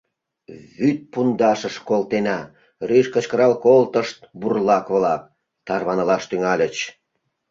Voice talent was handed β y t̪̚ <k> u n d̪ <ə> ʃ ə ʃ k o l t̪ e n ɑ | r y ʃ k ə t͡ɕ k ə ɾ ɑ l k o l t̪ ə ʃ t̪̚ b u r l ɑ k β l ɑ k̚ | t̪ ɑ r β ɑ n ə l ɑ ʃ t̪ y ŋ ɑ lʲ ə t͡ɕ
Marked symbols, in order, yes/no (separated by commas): no, no